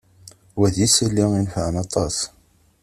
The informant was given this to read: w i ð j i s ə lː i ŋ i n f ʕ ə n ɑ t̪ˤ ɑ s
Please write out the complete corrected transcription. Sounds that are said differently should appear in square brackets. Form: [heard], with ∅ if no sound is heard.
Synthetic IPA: w [æ] ð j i s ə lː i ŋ i n f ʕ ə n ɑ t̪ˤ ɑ s